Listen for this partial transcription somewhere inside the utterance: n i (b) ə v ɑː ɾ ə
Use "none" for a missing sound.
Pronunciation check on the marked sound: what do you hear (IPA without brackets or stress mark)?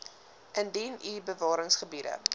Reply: b